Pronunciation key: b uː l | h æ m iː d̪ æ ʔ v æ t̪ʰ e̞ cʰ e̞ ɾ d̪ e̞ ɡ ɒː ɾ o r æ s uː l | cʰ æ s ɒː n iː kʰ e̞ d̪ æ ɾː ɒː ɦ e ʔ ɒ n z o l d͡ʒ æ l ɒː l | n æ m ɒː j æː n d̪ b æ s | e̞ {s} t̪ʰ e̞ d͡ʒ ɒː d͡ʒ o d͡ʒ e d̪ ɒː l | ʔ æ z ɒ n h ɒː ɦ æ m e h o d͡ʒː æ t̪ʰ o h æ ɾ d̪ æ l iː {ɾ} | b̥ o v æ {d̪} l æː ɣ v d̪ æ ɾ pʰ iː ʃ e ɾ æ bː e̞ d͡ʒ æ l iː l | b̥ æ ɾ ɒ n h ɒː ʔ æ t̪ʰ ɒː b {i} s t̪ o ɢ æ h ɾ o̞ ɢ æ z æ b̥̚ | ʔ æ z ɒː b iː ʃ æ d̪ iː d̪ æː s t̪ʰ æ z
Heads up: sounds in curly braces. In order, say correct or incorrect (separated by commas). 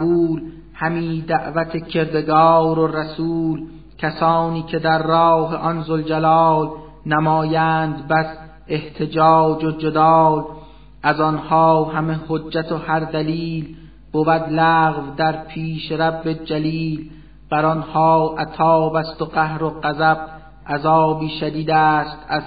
incorrect, incorrect, correct, incorrect